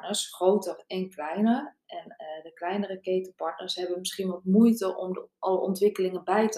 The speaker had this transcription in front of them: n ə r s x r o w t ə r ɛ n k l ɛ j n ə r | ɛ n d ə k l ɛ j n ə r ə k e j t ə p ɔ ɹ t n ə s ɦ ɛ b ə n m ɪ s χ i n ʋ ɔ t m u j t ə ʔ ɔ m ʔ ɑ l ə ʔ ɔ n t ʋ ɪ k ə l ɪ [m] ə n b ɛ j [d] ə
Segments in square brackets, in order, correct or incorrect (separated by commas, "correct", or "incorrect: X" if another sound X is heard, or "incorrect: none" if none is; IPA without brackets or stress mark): incorrect: ŋ, incorrect: t